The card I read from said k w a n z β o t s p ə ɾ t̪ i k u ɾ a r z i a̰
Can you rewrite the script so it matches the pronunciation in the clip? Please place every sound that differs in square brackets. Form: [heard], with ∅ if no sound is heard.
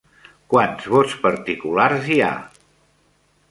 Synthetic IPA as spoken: k w a n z β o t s p ə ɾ t̪ i k u [l] a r z i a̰